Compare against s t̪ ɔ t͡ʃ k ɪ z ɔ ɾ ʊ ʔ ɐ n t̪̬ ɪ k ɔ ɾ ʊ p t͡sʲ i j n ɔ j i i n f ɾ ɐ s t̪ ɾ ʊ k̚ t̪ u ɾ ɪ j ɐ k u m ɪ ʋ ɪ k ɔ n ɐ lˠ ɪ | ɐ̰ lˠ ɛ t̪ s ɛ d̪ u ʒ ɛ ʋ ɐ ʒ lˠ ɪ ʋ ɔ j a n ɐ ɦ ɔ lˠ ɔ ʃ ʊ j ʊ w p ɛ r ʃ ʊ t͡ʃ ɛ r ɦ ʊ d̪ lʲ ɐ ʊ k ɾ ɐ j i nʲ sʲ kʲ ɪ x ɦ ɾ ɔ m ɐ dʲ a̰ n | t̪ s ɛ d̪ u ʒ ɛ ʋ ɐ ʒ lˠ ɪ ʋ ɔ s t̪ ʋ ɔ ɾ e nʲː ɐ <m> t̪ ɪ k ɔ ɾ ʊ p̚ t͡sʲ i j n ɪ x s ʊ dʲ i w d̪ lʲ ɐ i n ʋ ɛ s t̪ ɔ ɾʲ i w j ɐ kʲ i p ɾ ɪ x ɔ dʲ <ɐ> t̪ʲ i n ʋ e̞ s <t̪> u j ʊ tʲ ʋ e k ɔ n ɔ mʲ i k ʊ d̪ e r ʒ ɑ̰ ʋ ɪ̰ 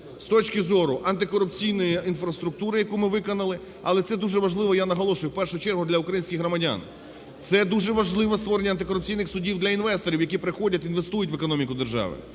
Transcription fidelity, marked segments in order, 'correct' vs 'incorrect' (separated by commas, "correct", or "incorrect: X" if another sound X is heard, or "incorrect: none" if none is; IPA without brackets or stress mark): incorrect: n, correct, correct